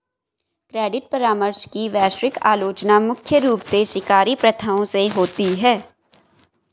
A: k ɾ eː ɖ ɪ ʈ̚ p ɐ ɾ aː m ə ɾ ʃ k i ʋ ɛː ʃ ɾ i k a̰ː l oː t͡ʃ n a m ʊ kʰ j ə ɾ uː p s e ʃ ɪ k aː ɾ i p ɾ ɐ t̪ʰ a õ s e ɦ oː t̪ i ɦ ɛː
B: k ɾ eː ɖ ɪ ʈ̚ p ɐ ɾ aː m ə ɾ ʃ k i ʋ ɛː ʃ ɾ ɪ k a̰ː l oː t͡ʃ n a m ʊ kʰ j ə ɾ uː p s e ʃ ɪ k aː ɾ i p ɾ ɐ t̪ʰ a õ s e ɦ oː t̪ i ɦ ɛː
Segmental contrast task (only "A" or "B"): B